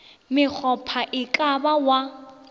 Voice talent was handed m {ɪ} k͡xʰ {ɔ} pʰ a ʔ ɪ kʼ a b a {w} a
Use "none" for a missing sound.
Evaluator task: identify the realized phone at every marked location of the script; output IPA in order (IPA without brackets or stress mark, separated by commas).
ɪ, ɔ, w